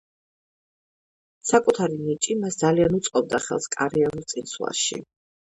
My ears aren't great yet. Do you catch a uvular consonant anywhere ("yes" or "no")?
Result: yes